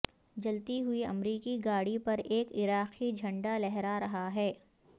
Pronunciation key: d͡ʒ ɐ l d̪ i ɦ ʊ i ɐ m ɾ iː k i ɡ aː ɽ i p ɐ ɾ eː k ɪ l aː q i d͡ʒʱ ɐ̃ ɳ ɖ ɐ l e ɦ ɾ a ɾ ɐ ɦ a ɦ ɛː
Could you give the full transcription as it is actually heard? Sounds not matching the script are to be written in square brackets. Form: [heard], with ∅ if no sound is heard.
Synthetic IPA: d͡ʒ ɐ l [t̪] i ɦ ʊ i ɐ m ɾ iː k i ɡ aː ɽ i p ɐ ɾ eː k ɪ [ɾ] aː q i d͡ʒʱ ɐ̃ ɳ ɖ [a] l [ɛ] ɦ ɾ a ɾ ɐ ɦ a ɦ ɛː